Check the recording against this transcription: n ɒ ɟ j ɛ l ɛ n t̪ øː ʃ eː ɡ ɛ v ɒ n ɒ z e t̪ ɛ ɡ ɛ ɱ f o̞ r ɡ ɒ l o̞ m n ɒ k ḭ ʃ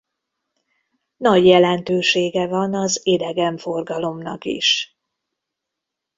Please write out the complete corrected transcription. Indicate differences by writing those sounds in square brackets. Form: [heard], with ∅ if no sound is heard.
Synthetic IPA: n ɒ ɟ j ɛ l ɛ n t̪ øː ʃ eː ɡ ɛ v ɒ n ɒ z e [d̪] ɛ ɡ ɛ ɱ f o̞ r ɡ ɒ l o̞ m n ɒ k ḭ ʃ

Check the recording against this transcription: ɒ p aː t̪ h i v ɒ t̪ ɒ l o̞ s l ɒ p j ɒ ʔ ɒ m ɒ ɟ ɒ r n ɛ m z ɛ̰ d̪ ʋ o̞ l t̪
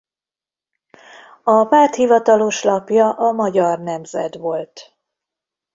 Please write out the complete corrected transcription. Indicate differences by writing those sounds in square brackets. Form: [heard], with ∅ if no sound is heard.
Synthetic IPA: ɒ p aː t̪ h i v ɒ t̪ ɒ l o̞ [ʃ] l ɒ p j ɒ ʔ ɒ m ɒ ɟ ɒ r n ɛ m z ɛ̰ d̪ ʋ o̞ l t̪

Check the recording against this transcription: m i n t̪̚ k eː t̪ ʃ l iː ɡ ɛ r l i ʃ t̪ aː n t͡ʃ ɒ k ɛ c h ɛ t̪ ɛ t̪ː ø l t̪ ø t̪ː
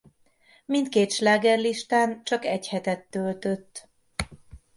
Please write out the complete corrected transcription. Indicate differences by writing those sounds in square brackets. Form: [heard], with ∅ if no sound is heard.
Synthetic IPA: m i n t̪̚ k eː t̪ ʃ l [aː] ɡ ɛ r l i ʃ t̪ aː n t͡ʃ ɒ k ɛ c h ɛ t̪ ɛ t̪ː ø l t̪ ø t̪ː

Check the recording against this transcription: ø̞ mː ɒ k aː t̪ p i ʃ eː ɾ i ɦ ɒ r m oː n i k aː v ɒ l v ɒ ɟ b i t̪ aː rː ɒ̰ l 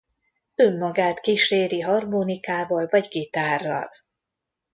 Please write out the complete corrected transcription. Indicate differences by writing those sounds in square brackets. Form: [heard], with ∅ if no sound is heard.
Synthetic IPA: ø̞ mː ɒ [ɡ] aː t̪ [k] i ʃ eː ɾ i ɦ ɒ r m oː n i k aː v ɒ l v ɒ ɟ [ɡ] i t̪ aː rː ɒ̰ l

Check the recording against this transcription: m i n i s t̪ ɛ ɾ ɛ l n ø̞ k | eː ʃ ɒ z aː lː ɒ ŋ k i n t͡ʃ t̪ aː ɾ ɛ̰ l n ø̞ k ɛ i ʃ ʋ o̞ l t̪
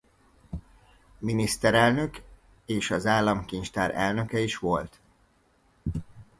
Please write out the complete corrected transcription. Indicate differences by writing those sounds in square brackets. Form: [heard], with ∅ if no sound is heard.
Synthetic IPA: m i n i s t̪ ɛ ɾ ɛ l n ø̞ k | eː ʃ ɒ z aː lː ɒ [m] k i n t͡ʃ t̪ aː ɾ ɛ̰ l n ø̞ k ɛ i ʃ ʋ o̞ l t̪

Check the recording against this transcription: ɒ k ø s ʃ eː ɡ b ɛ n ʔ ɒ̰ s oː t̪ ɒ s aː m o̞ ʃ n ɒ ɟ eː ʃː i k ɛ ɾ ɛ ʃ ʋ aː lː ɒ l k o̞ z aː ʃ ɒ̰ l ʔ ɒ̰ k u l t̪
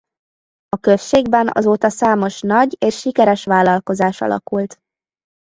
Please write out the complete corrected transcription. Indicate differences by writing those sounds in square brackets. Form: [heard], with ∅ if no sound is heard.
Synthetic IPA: ɒ k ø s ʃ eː ɡ b ɛ n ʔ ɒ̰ [z] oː t̪ ɒ s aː m o̞ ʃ n ɒ ɟ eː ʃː i k ɛ ɾ ɛ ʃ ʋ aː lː ɒ l k o̞ z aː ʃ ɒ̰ l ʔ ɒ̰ k u l t̪

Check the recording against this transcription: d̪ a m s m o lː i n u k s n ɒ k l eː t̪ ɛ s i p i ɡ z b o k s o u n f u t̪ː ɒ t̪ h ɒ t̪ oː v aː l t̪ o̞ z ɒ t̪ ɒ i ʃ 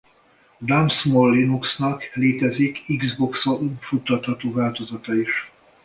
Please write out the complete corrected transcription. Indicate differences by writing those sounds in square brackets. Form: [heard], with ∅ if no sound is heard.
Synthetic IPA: d̪ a m s m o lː i n u k s n ɒ k l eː t̪ ɛ [z] i [k] i ɡ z b o k s o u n f u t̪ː ɒ t̪ h ɒ t̪ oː v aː l t̪ o̞ z ɒ t̪ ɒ i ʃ

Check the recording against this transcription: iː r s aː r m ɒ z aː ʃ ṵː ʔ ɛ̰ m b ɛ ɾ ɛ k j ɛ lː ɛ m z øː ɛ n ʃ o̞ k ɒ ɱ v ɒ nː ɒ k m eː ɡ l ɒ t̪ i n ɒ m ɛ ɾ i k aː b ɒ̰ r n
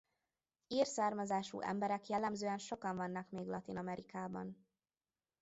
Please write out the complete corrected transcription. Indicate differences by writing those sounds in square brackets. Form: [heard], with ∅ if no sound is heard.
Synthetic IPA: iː r s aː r m ɒ z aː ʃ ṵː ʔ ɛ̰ m b ɛ ɾ ɛ k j ɛ lː ɛ m z øː ɛ n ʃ o̞ k ɒ ɱ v ɒ nː ɒ k m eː ɡ l ɒ t̪ i n ɒ m ɛ ɾ i k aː b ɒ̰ [∅] n

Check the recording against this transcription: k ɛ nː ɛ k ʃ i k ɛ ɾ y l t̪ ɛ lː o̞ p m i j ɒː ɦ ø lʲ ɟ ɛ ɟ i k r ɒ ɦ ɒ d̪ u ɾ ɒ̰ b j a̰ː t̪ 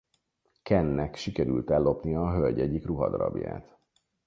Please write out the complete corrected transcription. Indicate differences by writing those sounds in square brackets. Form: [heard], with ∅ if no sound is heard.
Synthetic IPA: k ɛ nː ɛ k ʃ i k ɛ ɾ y l t̪ ɛ lː o̞ p [n] i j ɒː ɦ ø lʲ ɟ ɛ ɟ i k r [u] ɦ ɒ d̪ [ɒ] ɾ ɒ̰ b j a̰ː t̪

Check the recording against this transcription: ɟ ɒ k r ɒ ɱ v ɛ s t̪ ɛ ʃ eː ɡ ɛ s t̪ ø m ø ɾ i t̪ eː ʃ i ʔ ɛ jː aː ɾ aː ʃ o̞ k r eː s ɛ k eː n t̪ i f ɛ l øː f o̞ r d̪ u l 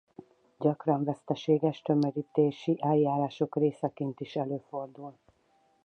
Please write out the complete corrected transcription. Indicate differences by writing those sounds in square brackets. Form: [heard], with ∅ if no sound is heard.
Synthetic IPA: ɟ ɒ k r ɒ ɱ v ɛ s t̪ ɛ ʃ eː ɡ ɛ [ʃ] t̪ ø m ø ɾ i t̪ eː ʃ i ʔ ɛ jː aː ɾ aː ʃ o̞ k r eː s ɛ k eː n t̪ i [ʃ] ɛ l øː f o̞ r d̪ u l

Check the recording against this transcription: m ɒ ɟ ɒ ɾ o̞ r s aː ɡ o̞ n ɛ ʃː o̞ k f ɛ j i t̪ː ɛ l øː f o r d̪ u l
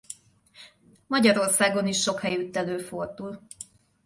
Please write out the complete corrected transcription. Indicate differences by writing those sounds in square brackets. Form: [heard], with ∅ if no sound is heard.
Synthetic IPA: m ɒ ɟ ɒ ɾ o̞ r s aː ɡ o̞ n [i] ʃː o̞ k [h] ɛ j [y] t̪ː ɛ l øː f o r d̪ u l

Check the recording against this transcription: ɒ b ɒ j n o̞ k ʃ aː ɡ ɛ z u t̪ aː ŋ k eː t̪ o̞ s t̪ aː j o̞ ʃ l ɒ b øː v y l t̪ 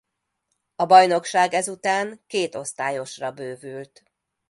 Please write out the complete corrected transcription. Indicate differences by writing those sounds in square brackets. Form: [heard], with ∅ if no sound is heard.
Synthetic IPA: ɒ b ɒ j n o̞ k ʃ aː ɡ ɛ z u t̪ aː ŋ k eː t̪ o̞ s t̪ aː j o̞ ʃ [r] ɒ b øː v y l t̪

